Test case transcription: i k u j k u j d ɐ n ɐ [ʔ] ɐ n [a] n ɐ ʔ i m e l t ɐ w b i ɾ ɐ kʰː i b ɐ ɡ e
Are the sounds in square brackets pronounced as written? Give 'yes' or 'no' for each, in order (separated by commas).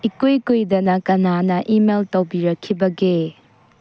no, yes